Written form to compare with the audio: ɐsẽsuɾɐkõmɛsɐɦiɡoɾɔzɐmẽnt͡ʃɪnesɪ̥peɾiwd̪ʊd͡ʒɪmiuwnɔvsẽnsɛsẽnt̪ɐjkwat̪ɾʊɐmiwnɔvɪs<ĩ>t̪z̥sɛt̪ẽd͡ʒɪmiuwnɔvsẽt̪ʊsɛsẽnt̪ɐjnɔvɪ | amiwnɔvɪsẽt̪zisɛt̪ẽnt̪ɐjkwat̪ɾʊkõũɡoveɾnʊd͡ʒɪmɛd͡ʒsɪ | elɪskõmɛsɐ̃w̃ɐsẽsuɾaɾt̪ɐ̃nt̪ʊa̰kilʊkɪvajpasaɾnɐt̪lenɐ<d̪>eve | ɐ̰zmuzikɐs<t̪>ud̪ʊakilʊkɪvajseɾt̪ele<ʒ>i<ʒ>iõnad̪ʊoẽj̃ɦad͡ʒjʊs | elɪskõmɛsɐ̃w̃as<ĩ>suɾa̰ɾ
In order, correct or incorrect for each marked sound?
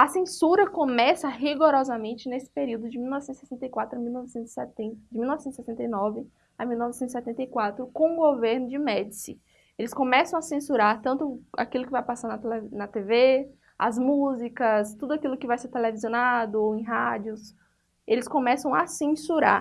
incorrect: ẽ, incorrect: t̪, correct, incorrect: v, incorrect: z, incorrect: ẽ

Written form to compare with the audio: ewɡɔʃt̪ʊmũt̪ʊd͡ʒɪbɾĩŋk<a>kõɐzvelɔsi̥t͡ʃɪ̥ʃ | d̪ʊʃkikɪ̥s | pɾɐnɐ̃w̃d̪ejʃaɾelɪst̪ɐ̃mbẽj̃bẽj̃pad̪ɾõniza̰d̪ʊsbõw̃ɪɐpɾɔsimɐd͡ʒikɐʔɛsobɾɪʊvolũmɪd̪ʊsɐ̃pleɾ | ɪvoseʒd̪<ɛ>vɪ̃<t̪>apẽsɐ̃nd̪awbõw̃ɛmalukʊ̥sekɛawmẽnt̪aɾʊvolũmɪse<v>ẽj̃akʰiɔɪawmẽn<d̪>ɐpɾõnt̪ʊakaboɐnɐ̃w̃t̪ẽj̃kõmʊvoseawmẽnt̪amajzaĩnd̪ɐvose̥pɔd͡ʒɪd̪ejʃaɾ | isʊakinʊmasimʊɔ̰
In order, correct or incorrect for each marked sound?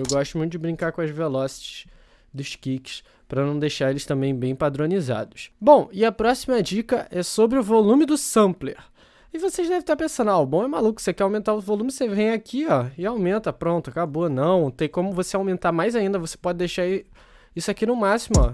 correct, correct, correct, correct, incorrect: t̪

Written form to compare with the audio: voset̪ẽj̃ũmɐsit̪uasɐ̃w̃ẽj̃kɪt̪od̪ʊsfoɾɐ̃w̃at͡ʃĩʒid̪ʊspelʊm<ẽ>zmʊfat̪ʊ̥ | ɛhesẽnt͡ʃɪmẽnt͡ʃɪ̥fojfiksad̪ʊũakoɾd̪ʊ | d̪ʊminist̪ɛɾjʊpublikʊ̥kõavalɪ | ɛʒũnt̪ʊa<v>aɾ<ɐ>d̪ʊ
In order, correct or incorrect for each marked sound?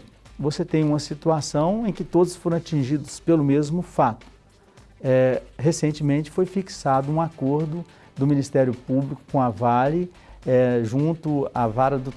incorrect: e, correct, correct

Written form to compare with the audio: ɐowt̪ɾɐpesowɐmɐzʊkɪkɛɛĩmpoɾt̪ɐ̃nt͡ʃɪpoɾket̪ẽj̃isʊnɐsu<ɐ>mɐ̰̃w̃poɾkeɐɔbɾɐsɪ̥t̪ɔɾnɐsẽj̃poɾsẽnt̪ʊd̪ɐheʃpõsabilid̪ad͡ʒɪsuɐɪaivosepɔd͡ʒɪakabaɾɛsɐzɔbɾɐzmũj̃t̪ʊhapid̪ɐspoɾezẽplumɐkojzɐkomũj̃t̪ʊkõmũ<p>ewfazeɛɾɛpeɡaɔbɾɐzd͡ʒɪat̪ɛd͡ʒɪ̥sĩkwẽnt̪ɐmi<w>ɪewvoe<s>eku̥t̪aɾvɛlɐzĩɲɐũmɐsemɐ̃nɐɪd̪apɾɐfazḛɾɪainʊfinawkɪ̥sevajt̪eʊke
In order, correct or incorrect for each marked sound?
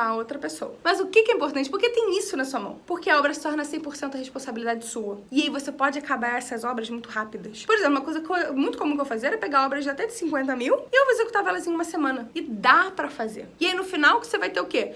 correct, incorrect: k, correct, incorrect: z

